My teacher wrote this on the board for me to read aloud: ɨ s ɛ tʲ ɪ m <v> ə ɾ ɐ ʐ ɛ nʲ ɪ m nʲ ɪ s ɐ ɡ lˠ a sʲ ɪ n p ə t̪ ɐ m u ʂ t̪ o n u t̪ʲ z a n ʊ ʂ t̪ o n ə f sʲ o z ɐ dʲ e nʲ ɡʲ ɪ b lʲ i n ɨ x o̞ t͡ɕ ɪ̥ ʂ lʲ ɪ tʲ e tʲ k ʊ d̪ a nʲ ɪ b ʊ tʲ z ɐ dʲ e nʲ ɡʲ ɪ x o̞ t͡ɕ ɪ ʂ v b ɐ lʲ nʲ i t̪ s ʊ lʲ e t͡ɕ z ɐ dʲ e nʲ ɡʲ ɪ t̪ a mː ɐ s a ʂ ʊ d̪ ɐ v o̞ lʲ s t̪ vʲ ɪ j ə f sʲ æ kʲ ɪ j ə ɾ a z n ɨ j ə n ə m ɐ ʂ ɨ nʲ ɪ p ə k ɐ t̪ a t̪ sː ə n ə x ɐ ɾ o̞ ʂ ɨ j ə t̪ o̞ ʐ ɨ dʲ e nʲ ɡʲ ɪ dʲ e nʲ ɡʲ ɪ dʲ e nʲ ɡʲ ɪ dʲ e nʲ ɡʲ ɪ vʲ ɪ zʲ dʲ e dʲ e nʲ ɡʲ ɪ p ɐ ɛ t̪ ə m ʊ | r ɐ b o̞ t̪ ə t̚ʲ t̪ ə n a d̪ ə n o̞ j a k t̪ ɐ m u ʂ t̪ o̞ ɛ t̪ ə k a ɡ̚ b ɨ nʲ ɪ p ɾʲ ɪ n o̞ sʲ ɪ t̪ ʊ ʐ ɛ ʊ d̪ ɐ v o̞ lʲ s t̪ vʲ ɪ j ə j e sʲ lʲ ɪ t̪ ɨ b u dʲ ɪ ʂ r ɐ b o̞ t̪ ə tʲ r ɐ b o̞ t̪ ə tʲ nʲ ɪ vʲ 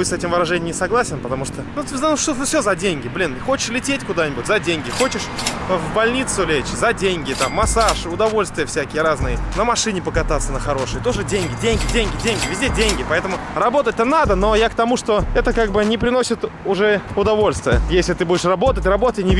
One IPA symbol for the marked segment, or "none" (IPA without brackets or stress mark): v